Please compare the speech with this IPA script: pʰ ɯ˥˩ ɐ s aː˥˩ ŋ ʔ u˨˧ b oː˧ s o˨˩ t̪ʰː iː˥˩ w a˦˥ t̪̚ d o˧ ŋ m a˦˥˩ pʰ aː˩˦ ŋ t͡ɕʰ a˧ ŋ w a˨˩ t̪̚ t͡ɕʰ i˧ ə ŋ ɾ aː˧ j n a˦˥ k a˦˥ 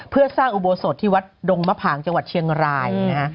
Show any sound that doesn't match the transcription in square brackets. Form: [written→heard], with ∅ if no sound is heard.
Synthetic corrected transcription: pʰ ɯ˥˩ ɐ s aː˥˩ ŋ ʔ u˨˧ b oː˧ s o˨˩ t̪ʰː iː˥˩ w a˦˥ t̪̚ d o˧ ŋ m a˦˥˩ pʰ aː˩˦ ŋ [t͡ɕʰ→t͡ɕ] a˧ ŋ w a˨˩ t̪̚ t͡ɕʰ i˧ ə ŋ ɾ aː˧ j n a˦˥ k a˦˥